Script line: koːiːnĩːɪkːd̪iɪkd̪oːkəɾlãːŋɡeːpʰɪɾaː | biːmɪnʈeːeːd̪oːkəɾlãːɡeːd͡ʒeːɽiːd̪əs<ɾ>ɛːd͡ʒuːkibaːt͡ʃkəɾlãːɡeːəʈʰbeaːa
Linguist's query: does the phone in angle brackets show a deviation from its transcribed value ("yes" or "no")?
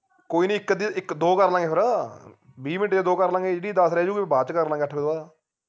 no